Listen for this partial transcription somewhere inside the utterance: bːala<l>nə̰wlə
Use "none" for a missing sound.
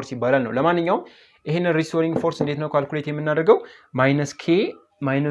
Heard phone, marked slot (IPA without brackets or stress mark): l